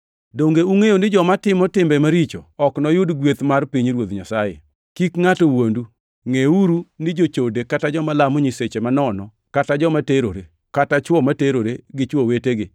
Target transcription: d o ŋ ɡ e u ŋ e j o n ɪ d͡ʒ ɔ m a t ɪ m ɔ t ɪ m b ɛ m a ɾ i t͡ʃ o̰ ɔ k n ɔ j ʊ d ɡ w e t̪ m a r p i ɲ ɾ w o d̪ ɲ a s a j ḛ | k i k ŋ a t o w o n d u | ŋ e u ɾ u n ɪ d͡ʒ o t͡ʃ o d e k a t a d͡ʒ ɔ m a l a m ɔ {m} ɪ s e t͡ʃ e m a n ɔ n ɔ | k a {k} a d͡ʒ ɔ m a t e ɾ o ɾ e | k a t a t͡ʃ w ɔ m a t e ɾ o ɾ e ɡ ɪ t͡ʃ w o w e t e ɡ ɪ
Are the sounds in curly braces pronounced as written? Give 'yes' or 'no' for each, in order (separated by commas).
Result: no, no